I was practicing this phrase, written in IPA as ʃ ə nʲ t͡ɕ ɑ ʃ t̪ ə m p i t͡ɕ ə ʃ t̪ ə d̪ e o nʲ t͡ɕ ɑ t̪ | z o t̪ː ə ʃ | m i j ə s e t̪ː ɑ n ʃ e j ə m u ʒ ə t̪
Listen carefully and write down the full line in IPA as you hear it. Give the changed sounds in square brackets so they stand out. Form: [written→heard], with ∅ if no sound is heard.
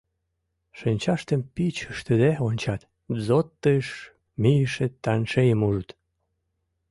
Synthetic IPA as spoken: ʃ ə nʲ t͡ɕ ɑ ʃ t̪ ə m p i t͡ɕ ə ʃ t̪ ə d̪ e o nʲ t͡ɕ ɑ t̪ | z o t̪ː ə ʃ | m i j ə [s→ʃ] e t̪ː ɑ n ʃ e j ə m u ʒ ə t̪